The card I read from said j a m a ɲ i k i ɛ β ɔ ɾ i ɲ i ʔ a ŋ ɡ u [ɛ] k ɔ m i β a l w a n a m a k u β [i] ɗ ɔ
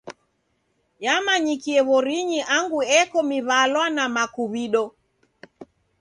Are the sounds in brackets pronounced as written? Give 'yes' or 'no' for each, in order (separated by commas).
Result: yes, yes